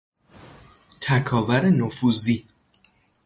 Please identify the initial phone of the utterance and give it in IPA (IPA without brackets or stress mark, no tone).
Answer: t̪ʰ